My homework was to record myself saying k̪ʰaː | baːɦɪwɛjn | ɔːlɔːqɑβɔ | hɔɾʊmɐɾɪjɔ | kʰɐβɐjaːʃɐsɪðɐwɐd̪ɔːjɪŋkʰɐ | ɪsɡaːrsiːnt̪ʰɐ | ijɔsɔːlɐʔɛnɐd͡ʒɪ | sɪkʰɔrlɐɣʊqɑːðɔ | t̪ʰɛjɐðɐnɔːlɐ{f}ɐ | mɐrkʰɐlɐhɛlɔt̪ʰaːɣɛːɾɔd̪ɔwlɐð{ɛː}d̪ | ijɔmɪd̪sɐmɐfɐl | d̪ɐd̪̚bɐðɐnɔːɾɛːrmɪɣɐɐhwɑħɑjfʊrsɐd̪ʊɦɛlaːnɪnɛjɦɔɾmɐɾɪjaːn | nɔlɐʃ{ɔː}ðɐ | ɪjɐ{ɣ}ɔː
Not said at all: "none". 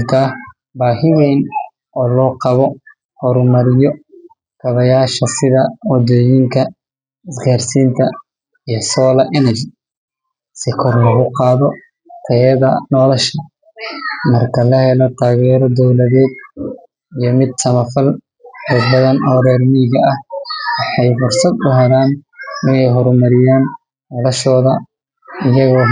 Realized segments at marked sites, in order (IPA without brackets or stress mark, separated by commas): ʃ, ɛː, ɔː, ɣ